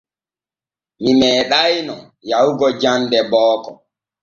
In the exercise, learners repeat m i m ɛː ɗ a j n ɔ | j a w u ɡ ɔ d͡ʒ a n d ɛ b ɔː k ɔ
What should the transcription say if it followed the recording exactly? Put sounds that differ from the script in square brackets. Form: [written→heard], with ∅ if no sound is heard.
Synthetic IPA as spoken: m i m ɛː ɗ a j n ɔ | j a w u ɡ ɔ d͡ʒ a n d ɛ b ɔː k ɔ

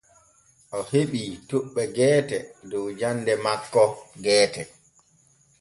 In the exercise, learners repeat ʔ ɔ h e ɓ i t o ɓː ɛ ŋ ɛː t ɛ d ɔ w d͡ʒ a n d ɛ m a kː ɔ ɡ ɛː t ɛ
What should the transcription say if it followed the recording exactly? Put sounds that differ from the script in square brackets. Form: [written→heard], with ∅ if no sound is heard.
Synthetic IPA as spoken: ʔ ɔ h e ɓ i t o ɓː ɛ [ŋ→ɡ] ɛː t ɛ d ɔ w d͡ʒ a n d ɛ m a kː ɔ ɡ ɛː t ɛ

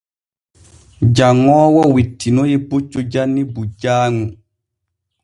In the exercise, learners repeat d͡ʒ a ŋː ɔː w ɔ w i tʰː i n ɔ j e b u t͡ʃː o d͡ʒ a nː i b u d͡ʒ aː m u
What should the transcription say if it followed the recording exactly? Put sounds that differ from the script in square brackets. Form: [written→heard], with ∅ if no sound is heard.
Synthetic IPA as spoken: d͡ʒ a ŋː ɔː w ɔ w i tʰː i n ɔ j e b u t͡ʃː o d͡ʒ a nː i b u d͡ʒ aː [m→ŋ] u

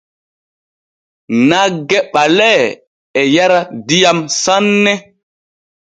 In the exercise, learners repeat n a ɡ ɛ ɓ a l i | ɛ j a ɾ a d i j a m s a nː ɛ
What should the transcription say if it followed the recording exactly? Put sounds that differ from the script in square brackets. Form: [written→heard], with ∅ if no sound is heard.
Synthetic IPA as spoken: n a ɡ ɛ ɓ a l [i→ɛ] | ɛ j a ɾ a d i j a m s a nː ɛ

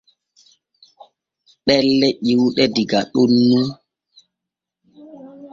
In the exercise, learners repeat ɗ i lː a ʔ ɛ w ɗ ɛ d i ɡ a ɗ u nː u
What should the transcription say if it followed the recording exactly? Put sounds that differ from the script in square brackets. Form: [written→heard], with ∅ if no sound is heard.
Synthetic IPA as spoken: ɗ [i→ɛ] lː [a→ɛ] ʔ [ɛ→i] w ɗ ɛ d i ɡ a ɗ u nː u

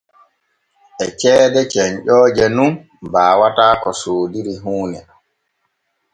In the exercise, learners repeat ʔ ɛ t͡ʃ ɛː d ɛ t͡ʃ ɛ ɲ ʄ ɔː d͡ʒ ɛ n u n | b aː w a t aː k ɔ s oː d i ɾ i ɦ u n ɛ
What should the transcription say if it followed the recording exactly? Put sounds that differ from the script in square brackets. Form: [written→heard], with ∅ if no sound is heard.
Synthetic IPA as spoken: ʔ ɛ t͡ʃ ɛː d ɛ t͡ʃ ɛ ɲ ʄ ɔː d͡ʒ ɛ n u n | b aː w a t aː k ɔ s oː d i ɾ i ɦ [u→uː] n ɛ

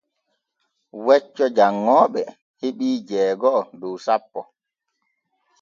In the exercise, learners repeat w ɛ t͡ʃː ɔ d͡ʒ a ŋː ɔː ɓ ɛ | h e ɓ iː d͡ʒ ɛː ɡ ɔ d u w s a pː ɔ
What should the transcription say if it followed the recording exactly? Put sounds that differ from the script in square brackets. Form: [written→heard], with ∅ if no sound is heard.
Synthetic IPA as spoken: w ɛ t͡ʃː ɔ d͡ʒ a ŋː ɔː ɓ ɛ | h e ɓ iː d͡ʒ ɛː ɡ ɔ d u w s a pː ɔ

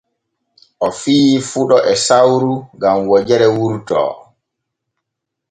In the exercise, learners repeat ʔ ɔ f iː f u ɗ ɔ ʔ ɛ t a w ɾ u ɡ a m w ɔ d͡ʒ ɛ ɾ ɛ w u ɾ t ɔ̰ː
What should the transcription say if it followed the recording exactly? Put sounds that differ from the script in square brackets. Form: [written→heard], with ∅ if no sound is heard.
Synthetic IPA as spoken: ʔ ɔ f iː f u ɗ ɔ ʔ ɛ [t→s] a w ɾ u ɡ a m w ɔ d͡ʒ ɛ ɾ ɛ w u ɾ t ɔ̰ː

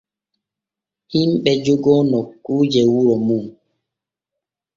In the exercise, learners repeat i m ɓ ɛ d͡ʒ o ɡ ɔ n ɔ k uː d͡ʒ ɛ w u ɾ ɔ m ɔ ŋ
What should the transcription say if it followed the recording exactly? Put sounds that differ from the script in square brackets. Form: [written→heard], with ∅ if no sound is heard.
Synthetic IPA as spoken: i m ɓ ɛ d͡ʒ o ɡ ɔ n ɔ k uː d͡ʒ ɛ w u ɾ ɔ m [ɔ→u] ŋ

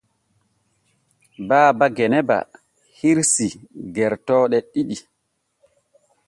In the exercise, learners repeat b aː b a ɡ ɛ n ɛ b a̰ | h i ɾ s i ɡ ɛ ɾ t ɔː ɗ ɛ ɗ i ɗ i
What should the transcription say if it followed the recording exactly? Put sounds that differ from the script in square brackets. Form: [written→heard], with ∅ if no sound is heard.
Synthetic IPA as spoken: b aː b a ɡ ɛ n ɛ b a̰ | h i ɾ s i ɡ ɛ ɾ t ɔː ɗ ɛ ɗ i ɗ i

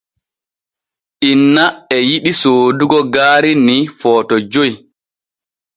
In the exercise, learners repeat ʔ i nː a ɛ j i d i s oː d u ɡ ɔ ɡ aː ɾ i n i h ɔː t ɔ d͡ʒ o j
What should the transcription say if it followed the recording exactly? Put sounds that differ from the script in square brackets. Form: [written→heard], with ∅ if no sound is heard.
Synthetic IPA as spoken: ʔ i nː a ɛ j i [d→ɗ] i s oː d u ɡ ɔ ɡ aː ɾ i n i [h→f] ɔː t ɔ d͡ʒ o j

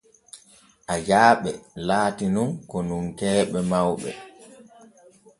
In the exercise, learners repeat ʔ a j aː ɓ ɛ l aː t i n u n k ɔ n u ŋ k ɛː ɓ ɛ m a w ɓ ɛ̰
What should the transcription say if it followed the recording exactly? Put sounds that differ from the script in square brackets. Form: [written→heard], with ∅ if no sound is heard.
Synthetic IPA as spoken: ʔ a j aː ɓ ɛ l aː t i n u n k ɔ n u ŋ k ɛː ɓ ɛ m a w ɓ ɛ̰

